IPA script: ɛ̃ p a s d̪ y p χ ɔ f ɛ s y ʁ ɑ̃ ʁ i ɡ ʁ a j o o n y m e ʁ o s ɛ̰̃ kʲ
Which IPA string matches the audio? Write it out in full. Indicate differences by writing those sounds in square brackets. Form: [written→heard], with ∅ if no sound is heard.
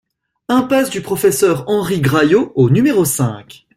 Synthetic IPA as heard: ɛ̃ p a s d̪ y p χ ɔ f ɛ s [y→œ] ʁ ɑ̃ ʁ i ɡ ʁ a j o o n y m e ʁ o s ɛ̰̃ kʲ